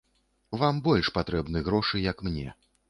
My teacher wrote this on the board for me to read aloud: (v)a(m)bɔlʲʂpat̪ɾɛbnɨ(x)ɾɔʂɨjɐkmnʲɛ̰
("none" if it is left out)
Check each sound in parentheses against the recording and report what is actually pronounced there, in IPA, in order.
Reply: v, m, ɣ

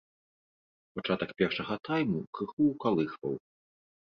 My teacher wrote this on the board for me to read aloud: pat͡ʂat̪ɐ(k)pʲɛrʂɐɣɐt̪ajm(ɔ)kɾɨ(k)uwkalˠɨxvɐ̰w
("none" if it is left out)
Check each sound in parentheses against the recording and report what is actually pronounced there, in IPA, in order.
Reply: k, u, x

